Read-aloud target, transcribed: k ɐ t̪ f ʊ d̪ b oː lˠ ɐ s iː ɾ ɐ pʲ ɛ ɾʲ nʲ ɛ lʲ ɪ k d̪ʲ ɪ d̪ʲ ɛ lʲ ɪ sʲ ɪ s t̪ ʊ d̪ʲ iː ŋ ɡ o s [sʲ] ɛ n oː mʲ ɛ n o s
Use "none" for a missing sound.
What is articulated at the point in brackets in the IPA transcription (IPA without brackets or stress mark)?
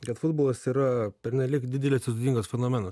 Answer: fʲ